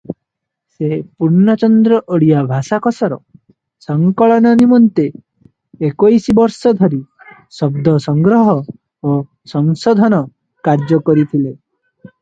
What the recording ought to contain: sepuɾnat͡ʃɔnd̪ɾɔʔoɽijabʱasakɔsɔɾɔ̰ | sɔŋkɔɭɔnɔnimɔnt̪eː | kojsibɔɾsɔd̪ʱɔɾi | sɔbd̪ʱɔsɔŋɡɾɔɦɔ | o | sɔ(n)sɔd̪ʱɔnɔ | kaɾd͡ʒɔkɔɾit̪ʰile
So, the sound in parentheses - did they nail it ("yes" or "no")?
no